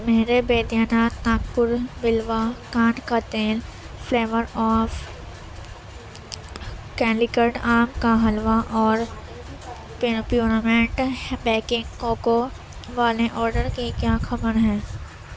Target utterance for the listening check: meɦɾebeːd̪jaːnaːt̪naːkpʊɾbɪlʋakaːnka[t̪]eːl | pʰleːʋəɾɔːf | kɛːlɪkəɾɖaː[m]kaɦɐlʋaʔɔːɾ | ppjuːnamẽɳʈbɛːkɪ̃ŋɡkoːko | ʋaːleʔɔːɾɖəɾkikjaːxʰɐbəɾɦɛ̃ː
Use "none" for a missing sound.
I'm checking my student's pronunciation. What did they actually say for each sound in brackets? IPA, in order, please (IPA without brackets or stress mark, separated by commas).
t̪, m